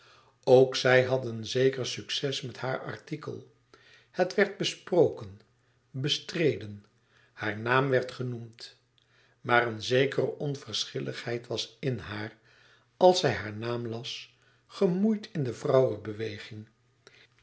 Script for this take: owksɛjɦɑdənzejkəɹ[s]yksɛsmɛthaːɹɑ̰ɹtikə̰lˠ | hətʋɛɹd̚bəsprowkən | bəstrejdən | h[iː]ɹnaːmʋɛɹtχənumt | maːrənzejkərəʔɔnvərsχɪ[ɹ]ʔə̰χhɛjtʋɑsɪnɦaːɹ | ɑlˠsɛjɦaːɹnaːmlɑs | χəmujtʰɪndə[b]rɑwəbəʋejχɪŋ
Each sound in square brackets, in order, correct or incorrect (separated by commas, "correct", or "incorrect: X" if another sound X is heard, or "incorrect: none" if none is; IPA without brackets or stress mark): correct, incorrect: aː, incorrect: l, incorrect: v